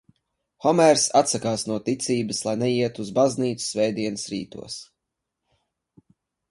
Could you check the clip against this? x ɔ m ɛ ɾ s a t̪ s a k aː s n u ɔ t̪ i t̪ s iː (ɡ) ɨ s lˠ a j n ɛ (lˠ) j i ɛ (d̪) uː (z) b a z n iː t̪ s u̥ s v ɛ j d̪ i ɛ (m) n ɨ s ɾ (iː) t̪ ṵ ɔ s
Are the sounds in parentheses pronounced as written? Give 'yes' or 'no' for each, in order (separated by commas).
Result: no, no, no, yes, no, yes